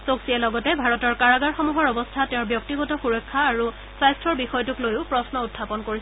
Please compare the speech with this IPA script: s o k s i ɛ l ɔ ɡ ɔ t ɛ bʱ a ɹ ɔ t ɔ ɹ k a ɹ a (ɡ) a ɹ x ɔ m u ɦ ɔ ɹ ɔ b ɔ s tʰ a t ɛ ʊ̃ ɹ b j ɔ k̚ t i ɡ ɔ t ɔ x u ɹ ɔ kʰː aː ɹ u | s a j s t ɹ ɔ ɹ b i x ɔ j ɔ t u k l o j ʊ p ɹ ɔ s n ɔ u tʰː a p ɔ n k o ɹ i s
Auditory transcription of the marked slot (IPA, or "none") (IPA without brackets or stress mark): ɡ